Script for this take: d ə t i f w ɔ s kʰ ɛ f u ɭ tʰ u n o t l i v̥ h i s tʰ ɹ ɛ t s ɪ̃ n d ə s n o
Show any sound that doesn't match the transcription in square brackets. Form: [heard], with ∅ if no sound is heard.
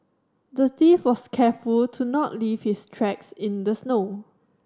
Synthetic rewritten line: d ə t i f w ɔ s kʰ ɛ f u [l] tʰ u n [ɔ] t l i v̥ h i s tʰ ɹ ɛ [k] s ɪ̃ n d ə s n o